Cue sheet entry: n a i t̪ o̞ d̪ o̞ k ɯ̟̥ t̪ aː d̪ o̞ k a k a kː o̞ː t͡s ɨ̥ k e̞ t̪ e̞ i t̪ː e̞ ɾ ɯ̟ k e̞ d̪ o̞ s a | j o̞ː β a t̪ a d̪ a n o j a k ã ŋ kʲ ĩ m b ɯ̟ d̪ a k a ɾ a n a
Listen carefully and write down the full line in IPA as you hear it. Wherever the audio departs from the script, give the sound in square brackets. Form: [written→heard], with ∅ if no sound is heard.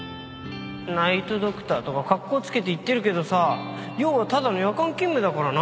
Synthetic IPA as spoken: n a i t̪ o̞ d̪ o̞ k ɯ̟̥ t̪ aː [d̪→t̪] o̞ k a k a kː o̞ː t͡s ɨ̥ k e̞ t̪ e̞ i t̪ː e̞ ɾ ɯ̟ k e̞ d̪ o̞ s a | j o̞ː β a t̪ a d̪ a n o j a k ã ŋ kʲ ĩ m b ɯ̟ d̪ a k a ɾ a n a